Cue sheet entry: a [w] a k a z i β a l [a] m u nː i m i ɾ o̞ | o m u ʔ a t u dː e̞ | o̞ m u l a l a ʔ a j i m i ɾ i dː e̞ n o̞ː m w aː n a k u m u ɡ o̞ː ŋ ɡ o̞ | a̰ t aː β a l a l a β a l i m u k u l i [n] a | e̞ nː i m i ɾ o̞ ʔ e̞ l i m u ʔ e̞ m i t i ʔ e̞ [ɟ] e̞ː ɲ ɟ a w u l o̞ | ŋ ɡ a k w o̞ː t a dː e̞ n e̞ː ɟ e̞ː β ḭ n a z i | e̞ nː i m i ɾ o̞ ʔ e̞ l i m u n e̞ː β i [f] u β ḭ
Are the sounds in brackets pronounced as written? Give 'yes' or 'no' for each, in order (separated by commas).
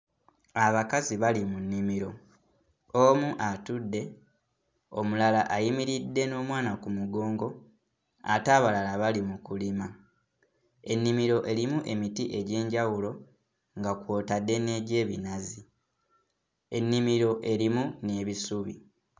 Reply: no, no, no, yes, no